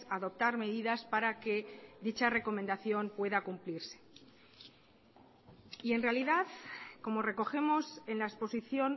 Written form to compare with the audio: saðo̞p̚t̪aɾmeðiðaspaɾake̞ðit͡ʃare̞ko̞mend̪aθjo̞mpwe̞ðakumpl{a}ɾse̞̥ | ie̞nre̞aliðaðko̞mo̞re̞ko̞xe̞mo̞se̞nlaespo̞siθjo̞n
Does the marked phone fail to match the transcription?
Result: yes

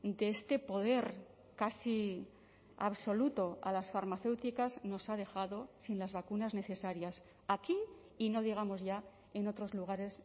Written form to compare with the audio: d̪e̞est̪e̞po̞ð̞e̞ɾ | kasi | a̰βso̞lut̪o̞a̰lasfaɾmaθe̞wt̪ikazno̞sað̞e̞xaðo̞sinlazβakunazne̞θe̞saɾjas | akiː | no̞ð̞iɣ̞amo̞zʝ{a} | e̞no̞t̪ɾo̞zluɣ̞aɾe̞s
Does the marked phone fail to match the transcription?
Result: no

